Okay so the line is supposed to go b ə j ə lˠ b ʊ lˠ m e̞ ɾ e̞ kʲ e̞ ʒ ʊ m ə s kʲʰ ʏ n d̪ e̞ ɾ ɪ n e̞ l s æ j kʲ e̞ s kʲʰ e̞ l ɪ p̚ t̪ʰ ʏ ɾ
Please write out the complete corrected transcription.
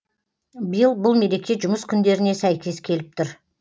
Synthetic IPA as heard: b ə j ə lˠ b ʊ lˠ m e̞ ɾ e̞ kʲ e̞ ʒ ʊ m ə s kʲʰ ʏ n d̪ e̞ ɾ ɪ n e̞ s æ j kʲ e̞ s kʲʰ e̞ l ɪ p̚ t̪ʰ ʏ ɾ